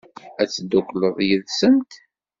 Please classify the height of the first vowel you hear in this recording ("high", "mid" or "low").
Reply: low